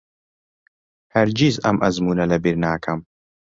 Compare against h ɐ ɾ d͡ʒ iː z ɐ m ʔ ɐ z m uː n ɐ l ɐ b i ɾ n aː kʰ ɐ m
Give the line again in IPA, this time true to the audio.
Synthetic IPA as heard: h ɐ ɾ d͡ʒ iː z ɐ m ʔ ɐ z m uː n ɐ l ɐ b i ɾ n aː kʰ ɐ m